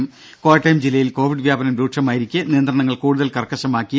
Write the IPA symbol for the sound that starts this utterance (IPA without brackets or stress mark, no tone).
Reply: m